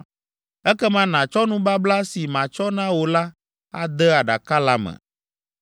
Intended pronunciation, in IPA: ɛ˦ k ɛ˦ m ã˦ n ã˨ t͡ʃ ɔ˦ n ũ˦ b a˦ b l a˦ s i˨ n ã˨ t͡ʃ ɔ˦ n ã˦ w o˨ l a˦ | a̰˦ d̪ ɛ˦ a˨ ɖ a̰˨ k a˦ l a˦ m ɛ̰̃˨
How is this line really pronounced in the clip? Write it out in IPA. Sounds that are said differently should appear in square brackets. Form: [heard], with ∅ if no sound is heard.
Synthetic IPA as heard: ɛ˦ k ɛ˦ m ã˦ n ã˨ t͡ʃ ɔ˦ n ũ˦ b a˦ b l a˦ s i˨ [m] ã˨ t͡ʃ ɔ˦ n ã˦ w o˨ l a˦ | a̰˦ d̪ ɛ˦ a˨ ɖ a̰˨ k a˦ l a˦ m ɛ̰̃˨